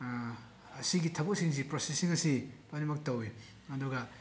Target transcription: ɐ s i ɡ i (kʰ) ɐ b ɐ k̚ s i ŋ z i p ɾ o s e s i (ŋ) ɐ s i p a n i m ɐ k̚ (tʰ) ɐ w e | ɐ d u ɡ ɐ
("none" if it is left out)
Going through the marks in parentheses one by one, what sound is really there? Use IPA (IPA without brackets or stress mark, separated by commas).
tʰ, ŋ, t